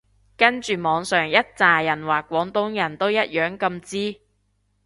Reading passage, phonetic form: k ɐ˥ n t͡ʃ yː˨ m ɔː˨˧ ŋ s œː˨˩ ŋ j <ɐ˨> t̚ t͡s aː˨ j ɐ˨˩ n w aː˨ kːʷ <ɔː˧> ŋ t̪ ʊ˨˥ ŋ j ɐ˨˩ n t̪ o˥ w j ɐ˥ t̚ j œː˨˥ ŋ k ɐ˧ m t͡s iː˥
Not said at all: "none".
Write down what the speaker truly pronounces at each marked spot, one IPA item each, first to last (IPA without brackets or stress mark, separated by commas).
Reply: ɐ˥, ɔː˨˥